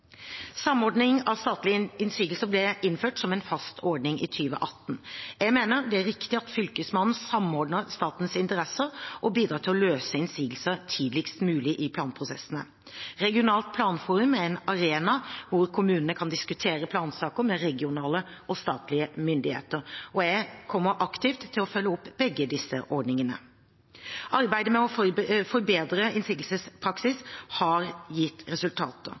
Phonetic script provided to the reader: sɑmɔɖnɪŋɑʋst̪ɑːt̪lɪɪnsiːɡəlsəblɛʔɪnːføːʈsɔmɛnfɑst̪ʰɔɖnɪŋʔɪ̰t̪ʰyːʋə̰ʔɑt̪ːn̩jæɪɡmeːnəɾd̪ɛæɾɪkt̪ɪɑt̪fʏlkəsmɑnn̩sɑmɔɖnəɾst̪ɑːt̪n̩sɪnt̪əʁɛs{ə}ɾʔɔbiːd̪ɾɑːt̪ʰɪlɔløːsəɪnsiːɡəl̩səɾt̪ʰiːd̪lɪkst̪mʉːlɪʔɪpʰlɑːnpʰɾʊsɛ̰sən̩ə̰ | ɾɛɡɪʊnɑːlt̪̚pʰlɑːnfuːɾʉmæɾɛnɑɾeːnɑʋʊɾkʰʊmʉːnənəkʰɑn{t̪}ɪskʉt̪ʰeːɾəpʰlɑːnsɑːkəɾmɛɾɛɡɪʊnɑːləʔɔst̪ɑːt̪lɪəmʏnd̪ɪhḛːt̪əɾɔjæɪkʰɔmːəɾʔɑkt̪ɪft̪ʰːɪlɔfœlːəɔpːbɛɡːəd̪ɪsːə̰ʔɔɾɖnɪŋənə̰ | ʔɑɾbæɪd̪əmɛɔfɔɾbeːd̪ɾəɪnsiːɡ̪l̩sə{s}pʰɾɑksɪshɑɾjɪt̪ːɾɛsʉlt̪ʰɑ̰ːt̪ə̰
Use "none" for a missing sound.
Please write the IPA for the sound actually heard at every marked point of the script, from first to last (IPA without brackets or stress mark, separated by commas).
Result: ə, d̪, s